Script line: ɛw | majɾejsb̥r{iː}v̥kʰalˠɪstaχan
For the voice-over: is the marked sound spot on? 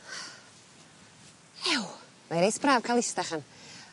no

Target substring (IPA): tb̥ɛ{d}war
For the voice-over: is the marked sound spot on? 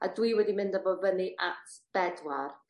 yes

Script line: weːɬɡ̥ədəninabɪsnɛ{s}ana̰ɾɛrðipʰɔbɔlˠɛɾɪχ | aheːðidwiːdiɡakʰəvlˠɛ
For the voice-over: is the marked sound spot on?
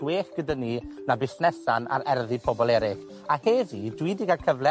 yes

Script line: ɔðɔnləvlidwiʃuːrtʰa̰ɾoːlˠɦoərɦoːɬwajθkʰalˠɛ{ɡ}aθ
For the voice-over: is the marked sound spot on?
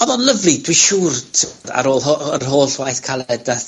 no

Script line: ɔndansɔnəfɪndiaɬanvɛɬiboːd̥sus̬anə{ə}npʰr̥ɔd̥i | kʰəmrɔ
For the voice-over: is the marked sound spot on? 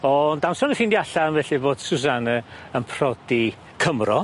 yes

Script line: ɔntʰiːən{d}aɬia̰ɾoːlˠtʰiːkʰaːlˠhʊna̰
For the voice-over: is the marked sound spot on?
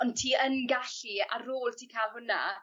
no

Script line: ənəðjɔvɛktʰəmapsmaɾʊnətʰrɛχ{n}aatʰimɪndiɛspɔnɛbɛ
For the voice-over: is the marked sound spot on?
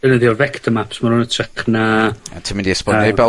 yes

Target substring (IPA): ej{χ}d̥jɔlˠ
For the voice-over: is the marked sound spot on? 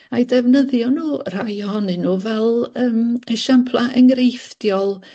no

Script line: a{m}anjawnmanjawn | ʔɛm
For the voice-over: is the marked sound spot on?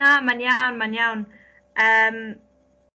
yes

